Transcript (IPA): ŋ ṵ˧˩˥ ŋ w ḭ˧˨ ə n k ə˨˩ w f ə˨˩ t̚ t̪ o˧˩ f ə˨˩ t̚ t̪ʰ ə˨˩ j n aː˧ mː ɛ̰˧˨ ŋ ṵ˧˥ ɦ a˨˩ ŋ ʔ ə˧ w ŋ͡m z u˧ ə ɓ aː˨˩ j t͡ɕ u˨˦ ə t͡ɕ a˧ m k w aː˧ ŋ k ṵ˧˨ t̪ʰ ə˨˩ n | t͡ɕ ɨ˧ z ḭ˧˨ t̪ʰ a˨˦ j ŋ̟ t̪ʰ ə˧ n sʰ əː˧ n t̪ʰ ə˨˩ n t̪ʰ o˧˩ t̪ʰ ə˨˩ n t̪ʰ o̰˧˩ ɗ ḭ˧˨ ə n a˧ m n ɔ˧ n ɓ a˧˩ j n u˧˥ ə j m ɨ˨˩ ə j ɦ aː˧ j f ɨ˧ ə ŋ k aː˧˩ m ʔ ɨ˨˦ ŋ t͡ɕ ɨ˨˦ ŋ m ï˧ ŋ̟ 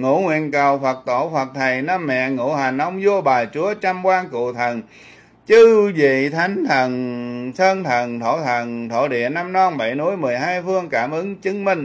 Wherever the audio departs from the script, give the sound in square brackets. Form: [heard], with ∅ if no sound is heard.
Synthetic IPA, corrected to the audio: ŋ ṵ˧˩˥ ŋ w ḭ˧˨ ə n k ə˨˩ w f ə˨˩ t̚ t̪ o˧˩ f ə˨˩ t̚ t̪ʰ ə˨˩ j n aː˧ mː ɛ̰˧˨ ŋ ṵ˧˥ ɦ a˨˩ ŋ ʔ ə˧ w ŋ͡m z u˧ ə ɓ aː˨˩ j t͡ɕ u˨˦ ə t͡ɕ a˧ m k w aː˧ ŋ k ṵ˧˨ t̪ʰ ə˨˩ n | t͡ɕ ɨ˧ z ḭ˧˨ t̪ʰ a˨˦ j ŋ̟ t̪ʰ [ə˨˩] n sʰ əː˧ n t̪ʰ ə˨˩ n t̪ʰ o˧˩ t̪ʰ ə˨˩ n t̪ʰ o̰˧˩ ɗ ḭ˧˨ ə n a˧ m n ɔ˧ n ɓ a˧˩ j n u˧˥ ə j m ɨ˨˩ ə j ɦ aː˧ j f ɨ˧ ə ŋ k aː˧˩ m ʔ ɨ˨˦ ŋ t͡ɕ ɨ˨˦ ŋ m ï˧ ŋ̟

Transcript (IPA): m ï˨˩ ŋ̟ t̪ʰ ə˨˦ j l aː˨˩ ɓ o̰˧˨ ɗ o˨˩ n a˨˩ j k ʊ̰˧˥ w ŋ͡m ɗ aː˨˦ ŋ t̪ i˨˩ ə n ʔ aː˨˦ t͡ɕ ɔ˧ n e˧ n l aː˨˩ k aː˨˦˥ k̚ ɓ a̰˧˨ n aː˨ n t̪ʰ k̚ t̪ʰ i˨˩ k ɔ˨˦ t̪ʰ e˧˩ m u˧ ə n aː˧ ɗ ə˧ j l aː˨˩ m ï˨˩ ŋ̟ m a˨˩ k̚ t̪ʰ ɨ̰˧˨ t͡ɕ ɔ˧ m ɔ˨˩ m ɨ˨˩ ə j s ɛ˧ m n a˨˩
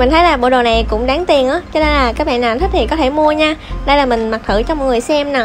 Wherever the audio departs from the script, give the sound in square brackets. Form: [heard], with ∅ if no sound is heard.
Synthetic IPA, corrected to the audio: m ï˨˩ ŋ̟ t̪ʰ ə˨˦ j l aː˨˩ ɓ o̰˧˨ ɗ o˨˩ n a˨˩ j k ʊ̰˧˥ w ŋ͡m ɗ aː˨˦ ŋ t̪ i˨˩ ə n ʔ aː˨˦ t͡ɕ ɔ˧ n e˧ n l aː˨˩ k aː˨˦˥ k̚ ɓ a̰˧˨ n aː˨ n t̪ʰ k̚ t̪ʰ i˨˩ k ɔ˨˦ t̪ʰ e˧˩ m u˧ ə [ɲ] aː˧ ɗ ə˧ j l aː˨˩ m ï˨˩ ŋ̟ m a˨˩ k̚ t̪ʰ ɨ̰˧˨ t͡ɕ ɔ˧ m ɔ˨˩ [ŋ] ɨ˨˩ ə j s ɛ˧ m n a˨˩

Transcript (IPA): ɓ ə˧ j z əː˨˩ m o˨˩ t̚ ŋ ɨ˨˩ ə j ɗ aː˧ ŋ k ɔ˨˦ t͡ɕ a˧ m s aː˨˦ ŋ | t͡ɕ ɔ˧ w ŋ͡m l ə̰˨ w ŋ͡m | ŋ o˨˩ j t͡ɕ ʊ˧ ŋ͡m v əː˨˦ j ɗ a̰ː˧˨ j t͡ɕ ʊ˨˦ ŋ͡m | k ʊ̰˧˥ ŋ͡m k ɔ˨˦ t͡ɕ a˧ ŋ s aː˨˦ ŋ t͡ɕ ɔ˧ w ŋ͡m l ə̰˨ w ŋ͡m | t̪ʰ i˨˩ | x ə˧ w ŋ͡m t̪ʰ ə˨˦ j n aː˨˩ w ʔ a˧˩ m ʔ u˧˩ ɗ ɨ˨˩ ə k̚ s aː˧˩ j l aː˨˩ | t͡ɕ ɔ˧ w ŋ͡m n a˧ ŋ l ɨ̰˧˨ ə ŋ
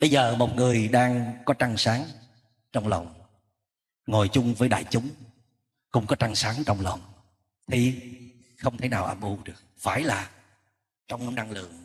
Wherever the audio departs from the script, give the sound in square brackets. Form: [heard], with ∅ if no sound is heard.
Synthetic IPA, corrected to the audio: ɓ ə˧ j z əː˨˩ m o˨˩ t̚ ŋ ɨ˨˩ ə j ɗ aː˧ ŋ k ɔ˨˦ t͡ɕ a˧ [ŋ] s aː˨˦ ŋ | t͡ɕ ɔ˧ w ŋ͡m l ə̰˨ w ŋ͡m | ŋ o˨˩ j t͡ɕ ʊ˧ ŋ͡m v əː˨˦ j ɗ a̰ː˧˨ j t͡ɕ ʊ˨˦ ŋ͡m | k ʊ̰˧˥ ŋ͡m k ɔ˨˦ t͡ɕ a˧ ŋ s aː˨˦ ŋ t͡ɕ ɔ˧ w ŋ͡m l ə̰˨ w ŋ͡m | t̪ʰ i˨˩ | x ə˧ w ŋ͡m t̪ʰ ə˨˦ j n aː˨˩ w ʔ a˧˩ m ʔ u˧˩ ɗ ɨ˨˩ ə k̚ [f] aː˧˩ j l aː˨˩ | t͡ɕ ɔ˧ w ŋ͡m n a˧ ŋ l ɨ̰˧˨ ə ŋ

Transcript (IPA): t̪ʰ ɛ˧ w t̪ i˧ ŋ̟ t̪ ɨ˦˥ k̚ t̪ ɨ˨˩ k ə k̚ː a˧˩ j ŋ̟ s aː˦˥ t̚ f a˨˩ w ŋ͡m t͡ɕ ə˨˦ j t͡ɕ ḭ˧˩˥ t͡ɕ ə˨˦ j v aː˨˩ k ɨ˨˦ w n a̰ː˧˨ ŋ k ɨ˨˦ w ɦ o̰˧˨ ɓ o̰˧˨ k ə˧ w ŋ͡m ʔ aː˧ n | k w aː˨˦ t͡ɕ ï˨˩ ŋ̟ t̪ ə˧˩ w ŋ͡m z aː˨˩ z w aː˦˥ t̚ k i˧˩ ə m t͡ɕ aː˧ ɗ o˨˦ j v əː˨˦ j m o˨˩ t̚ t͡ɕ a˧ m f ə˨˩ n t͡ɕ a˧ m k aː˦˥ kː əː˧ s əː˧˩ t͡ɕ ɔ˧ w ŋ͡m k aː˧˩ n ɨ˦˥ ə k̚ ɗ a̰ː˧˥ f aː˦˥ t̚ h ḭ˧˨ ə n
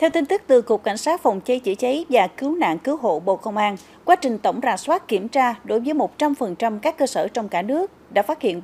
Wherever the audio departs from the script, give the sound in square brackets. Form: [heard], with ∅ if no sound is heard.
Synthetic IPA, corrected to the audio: t̪ʰ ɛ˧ w t̪ i˧ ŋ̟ t̪ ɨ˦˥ k̚ t̪ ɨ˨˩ k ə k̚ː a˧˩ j ŋ̟ s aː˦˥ t̚ f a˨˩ w ŋ͡m t͡ɕ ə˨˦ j t͡ɕ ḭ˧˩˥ t͡ɕ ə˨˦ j v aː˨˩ k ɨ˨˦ w n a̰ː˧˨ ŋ k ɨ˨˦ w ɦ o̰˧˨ ɓ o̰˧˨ k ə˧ w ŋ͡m ʔ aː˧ n | k w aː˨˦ t͡ɕ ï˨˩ ŋ̟ t̪ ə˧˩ w ŋ͡m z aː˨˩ [s] w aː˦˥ t̚ k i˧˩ ə m t͡ɕ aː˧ ɗ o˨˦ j v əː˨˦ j m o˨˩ t̚ t͡ɕ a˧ m f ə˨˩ n t͡ɕ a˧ m k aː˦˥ kː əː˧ s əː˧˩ t͡ɕ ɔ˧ w ŋ͡m k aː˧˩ n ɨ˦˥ ə k̚ ɗ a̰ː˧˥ f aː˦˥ t̚ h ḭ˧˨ ə n

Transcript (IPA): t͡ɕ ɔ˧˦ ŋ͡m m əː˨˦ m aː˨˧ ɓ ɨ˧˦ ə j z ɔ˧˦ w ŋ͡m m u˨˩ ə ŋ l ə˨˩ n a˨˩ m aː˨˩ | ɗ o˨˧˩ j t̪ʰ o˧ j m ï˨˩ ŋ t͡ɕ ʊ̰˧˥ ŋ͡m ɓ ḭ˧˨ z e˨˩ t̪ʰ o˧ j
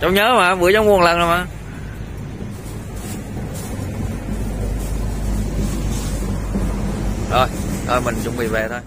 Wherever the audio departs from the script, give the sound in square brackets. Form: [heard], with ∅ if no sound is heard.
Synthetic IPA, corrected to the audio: t͡ɕ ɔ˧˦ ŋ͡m [ɲ] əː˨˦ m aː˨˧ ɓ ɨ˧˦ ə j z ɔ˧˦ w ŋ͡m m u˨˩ ə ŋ l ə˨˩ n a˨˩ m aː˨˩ | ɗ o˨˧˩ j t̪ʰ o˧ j m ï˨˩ ŋ t͡ɕ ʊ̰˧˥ ŋ͡m ɓ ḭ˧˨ [v] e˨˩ t̪ʰ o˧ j

